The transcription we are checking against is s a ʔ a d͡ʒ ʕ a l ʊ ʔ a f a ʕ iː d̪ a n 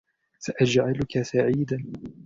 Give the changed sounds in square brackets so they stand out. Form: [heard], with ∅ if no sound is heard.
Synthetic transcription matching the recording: s a ʔ a d͡ʒ ʕ a l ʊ [k] a [s] a ʕ iː d̪ a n